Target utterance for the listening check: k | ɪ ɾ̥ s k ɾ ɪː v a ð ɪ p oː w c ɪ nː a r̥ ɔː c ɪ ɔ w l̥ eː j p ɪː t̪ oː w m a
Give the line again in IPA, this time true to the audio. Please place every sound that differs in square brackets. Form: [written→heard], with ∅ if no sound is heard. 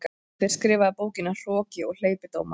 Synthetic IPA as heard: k | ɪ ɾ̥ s k ɾ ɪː v a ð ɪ p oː w c ɪ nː a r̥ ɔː c ɪ ɔ [w→ɣ] l̥ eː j p [ɪː→ɪ] t̪ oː w m a